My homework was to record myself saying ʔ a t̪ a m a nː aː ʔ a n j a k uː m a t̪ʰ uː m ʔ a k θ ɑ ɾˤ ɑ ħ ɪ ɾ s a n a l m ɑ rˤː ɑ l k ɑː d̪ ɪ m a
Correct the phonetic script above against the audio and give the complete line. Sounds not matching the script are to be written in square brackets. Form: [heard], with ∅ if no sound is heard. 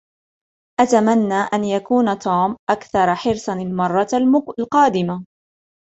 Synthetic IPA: ʔ a t̪ a m a nː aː ʔ a n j a k uː [n] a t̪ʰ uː m ʔ a k θ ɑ ɾˤ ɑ ħ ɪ ɾ s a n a l m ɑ rˤː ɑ l [q] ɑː d̪ ɪ m a

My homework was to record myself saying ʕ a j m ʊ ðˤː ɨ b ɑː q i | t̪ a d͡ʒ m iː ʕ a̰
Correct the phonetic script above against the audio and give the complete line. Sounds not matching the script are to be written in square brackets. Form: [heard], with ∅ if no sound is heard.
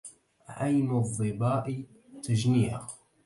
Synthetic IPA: ʕ a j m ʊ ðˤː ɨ b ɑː [ʔ] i | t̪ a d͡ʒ [n] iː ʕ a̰

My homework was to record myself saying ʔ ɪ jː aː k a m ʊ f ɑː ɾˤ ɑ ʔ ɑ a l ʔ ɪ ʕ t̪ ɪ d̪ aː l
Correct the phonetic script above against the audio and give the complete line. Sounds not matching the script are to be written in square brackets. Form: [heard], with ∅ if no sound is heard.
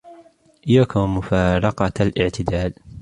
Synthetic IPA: ʔ ɪ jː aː k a m ʊ f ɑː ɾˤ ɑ [q] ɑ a l ʔ ɪ ʕ t̪ ɪ d̪ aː l

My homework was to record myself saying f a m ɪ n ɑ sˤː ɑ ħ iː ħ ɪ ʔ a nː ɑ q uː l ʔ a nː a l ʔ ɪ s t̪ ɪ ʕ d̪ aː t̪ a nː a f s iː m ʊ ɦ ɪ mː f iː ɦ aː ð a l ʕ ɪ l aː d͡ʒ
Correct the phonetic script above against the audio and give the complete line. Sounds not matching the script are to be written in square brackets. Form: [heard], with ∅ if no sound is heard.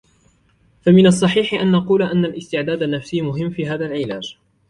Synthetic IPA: f a m ɪ n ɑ sˤː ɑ ħ iː ħ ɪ ʔ a nː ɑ q uː l ʔ a nː a l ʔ ɪ s t̪ ɪ ʕ d̪ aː [d̪] a nː a f s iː m ʊ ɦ ɪ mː f iː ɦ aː ð a l ʕ ɪ l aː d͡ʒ

